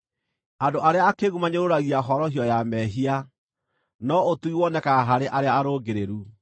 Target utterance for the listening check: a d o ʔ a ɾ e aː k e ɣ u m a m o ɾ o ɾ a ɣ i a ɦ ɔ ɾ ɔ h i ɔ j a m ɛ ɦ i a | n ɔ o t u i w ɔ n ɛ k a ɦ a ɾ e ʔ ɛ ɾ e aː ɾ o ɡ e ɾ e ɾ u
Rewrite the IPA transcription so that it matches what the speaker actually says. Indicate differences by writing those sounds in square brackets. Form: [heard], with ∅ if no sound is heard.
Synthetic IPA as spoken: a d o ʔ a ɾ e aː k e ɣ u m a [ɲ] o ɾ o ɾ a ɣ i a ɦ ɔ ɾ ɔ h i ɔ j a m ɛ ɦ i a | n ɔ o t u i w ɔ n ɛ k a ɦ a ɾ e ʔ [a] ɾ e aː ɾ o ɡ e ɾ e ɾ u